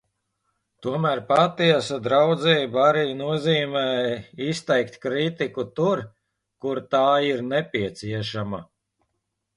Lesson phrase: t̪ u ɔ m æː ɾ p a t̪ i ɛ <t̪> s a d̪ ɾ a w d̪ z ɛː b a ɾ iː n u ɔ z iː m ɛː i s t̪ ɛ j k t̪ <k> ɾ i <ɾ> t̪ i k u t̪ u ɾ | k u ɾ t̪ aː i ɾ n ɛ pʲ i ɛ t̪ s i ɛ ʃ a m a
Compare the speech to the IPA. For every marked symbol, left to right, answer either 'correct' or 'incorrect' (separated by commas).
incorrect, correct, incorrect